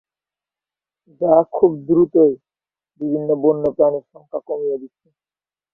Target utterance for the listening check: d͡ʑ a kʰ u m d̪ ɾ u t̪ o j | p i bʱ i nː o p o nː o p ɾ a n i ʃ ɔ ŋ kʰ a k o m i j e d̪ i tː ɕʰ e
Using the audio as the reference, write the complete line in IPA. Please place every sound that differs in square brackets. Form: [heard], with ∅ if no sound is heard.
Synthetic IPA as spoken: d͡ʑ a kʰ u [b] d̪ ɾ u t̪ o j | [b] i bʱ i nː o [b] o nː o p ɾ a n i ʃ ɔ ŋ kʰ a k o m i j e d̪ i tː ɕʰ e